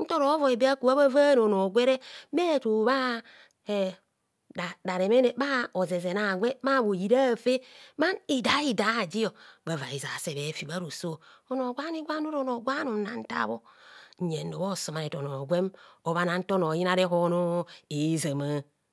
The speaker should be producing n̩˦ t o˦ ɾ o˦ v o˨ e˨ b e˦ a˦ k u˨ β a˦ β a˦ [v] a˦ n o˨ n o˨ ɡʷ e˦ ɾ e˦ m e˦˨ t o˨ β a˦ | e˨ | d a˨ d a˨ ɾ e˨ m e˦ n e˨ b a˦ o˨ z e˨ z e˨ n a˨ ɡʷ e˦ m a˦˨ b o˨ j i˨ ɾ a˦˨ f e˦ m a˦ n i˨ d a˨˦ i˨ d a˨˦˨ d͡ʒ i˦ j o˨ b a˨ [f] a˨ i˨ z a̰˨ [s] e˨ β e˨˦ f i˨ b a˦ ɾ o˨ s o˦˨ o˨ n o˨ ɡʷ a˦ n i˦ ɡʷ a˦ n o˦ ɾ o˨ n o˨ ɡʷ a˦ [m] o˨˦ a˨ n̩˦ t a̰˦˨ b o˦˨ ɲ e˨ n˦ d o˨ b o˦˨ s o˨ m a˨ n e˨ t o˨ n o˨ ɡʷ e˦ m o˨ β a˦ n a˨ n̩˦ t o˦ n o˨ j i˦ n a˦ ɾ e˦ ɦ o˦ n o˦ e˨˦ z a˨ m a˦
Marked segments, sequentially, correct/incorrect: correct, incorrect: v, correct, incorrect: n

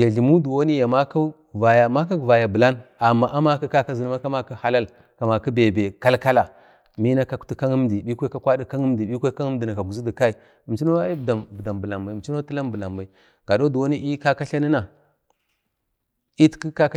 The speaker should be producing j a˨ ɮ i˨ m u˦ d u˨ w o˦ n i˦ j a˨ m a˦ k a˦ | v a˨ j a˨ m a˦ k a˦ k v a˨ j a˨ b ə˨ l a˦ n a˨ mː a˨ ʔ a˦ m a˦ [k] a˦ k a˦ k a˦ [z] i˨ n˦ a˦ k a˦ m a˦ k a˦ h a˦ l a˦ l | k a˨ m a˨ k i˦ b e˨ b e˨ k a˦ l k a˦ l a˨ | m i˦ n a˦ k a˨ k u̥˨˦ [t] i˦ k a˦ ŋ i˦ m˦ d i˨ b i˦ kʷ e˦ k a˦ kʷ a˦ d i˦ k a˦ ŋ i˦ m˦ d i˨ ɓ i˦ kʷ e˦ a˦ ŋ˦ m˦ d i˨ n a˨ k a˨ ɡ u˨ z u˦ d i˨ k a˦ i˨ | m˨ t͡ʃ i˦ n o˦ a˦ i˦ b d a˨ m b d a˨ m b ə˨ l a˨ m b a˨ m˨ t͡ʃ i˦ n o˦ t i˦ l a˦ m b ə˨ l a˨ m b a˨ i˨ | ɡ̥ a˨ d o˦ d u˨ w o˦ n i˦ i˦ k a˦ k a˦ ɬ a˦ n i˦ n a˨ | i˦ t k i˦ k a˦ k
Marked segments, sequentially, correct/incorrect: correct, correct, correct

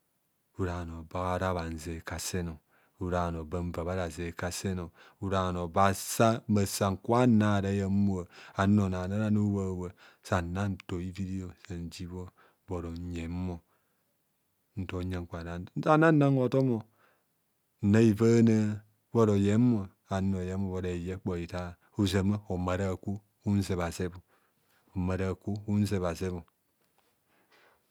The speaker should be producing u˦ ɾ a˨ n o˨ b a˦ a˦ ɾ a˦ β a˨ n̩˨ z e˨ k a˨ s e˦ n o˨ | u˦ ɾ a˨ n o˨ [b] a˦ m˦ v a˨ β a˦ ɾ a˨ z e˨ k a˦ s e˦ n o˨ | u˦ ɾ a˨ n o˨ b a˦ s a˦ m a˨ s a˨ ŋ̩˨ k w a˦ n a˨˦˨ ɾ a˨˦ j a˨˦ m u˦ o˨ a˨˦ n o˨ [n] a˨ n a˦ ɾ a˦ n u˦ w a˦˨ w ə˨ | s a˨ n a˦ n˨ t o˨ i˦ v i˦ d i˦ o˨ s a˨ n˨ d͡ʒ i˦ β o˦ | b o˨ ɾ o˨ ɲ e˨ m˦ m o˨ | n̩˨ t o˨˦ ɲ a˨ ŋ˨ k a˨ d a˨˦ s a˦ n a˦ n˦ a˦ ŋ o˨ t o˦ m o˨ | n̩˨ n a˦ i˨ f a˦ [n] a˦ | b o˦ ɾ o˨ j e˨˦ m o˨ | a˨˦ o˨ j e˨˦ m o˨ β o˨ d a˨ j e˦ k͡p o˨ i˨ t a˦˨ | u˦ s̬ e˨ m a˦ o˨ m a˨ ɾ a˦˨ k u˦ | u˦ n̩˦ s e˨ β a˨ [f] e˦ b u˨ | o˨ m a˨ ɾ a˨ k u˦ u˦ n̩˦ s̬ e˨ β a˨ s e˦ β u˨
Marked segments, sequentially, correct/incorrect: correct, correct, correct, incorrect: s

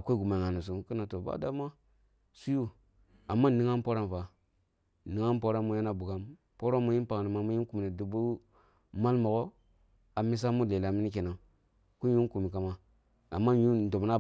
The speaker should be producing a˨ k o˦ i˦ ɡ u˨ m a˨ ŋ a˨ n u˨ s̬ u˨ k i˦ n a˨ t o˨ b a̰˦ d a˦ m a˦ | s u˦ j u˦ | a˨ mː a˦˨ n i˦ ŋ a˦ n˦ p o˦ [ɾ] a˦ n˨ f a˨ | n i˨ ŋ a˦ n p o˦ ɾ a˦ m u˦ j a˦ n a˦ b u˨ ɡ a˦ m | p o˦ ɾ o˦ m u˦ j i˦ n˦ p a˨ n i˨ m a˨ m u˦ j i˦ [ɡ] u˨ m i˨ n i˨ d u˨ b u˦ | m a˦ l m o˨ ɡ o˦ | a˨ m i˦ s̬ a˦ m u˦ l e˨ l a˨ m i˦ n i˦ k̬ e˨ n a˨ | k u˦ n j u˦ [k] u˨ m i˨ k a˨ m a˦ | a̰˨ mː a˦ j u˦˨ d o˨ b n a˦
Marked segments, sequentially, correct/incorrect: correct, incorrect: k, correct

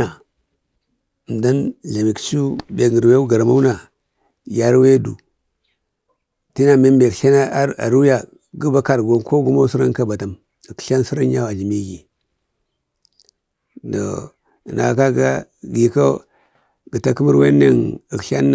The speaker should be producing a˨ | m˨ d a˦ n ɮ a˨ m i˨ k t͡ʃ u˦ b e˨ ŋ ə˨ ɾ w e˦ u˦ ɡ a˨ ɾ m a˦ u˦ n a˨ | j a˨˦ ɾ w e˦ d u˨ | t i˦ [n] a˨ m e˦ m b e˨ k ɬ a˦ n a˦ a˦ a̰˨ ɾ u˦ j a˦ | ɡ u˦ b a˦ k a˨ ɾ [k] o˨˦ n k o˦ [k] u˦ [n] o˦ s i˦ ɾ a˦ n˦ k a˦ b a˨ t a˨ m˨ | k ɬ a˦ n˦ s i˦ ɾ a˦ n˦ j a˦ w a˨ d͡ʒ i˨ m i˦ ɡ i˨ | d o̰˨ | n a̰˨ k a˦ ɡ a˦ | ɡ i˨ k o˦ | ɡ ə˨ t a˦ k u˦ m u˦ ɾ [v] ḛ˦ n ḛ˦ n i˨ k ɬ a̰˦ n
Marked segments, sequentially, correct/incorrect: correct, incorrect: ɡ, incorrect: ɡ, incorrect: m, incorrect: w

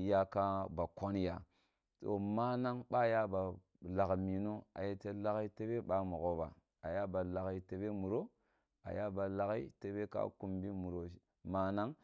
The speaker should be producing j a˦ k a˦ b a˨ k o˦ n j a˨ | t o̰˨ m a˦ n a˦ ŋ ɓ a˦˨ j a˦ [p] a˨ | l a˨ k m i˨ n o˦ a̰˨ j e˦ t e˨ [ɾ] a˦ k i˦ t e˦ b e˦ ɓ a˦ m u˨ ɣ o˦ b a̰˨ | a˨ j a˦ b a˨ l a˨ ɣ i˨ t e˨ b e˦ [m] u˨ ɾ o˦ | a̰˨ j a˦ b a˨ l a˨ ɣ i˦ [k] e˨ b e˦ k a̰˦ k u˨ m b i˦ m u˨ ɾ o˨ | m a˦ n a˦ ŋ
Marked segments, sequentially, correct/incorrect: incorrect: b, incorrect: l, correct, incorrect: t

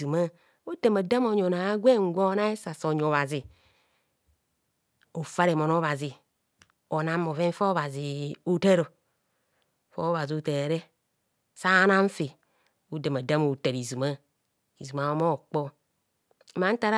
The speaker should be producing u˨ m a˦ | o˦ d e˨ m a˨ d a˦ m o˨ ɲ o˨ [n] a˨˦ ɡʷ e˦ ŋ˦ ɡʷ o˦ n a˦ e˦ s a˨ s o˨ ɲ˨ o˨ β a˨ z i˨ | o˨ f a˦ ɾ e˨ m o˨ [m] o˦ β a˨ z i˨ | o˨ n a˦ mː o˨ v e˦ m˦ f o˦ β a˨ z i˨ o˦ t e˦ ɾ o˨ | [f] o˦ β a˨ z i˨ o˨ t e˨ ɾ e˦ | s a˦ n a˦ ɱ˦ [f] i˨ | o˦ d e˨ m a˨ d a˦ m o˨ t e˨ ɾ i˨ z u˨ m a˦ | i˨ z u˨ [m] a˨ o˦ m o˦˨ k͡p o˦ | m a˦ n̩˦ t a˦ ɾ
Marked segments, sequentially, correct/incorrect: correct, incorrect: n, correct, correct, correct

